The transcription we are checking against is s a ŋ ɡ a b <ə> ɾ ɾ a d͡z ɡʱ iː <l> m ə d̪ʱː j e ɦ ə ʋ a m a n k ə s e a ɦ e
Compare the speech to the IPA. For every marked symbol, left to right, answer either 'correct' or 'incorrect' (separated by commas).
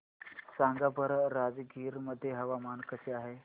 correct, incorrect